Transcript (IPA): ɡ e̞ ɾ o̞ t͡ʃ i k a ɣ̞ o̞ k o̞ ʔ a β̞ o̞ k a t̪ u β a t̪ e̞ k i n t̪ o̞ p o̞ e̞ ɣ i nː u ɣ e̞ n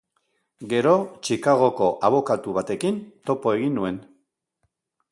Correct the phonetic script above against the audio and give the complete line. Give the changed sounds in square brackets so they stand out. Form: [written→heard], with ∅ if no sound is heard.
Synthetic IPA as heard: ɡ e̞ ɾ o̞ t͡ʃ i k a ɣ̞ o̞ k o̞ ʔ a β̞ o̞ k a t̪ u β a t̪ e̞ k i n t̪ o̞ p o̞ e̞ ɣ i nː u [ɣ→∅] e̞ n

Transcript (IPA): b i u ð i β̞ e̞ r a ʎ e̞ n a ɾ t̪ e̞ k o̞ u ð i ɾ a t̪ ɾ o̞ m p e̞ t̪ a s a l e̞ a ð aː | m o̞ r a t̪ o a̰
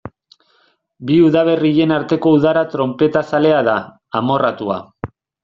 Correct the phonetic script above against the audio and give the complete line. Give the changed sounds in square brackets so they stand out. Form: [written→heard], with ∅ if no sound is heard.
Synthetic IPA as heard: b i u ð [i→a] β̞ e̞ r [a→i] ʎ e̞ n a ɾ t̪ e̞ k o̞ u ð [i→a] ɾ a t̪ ɾ o̞ m p e̞ t̪ a s a l e̞ a ð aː | m o̞ r a t̪ [o→u] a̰

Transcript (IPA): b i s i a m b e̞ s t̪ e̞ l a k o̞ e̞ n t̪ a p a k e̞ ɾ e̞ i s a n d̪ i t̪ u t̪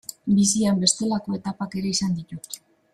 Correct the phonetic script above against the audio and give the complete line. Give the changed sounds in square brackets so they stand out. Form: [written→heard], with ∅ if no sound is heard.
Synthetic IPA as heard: b i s i a m b e̞ s t̪ e̞ l a k o̞ e̞ [n→∅] t̪ a p a k e̞ ɾ e̞ i s a n d̪ i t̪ u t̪

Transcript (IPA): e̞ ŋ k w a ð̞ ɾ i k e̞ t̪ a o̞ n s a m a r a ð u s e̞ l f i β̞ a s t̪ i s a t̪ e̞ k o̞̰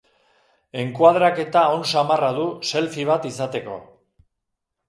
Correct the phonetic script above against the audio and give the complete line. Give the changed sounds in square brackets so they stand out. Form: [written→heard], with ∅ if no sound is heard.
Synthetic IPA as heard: e̞ ŋ k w a ð̞ ɾ [i→a] k e̞ t̪ a o̞ n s a m a r a ð u s e̞ l f i β̞ a [s→∅] t̪ i s a t̪ e̞ k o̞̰

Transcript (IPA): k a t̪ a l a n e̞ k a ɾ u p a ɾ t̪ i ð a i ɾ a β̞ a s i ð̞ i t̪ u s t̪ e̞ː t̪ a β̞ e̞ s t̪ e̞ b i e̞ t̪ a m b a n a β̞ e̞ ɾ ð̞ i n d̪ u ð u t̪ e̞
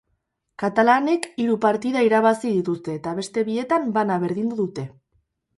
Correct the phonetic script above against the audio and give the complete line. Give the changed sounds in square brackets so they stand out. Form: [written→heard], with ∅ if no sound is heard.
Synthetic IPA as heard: k a t̪ a l a n e̞ k [a→i] ɾ u p a ɾ t̪ i ð a i ɾ a β̞ a s i ð̞ i t̪ u s t̪ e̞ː t̪ a β̞ e̞ s t̪ e̞ [b→β] i e̞ t̪ a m b a n a β̞ e̞ ɾ ð̞ i n d̪ u ð u t̪ e̞

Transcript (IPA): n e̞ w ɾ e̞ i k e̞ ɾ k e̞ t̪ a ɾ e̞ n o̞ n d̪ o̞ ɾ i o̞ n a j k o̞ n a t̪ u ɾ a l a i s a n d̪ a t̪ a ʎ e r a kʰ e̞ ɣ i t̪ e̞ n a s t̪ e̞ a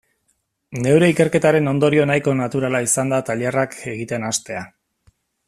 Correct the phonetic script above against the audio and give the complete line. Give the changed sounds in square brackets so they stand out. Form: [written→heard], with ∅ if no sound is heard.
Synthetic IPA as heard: n e̞ w ɾ e̞ i k e̞ ɾ k e̞ t̪ a ɾ e̞ n o̞ n d̪ o̞ ɾ i o̞ n a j k o̞ n a t̪ u ɾ a l a i s a n d̪ a t̪ a ʎ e r a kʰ e̞ ɣ i t̪ e̞ n a s t̪ e̞ a

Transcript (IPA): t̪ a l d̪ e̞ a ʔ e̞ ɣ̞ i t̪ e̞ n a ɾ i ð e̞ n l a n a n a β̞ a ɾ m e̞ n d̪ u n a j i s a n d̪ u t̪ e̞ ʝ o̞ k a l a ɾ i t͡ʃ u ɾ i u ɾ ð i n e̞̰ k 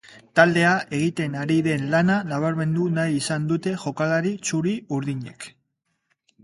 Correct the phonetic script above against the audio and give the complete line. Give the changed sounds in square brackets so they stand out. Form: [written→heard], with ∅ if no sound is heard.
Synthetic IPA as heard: t̪ a l d̪ e̞ a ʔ e̞ ɣ̞ i t̪ e̞ n a ɾ i ð e̞ n l a n a n a β̞ a ɾ m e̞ n d̪ u n a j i s a n d̪ u t̪ e̞ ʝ o̞ k a l a ɾ i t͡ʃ u ɾ i u ɾ ð i [n→ɲ] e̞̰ k

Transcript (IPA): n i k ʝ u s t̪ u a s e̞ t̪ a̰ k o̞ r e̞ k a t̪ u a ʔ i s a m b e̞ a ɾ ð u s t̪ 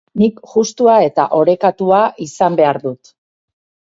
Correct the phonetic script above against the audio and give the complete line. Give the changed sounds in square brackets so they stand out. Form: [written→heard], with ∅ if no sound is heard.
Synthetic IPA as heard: n i k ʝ u s t̪ u a [s→∅] e̞ t̪ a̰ [k→ʔ] o̞ [r→ɾ] e̞ k a t̪ u a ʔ i s a m b e̞ a ɾ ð u [s→∅] t̪

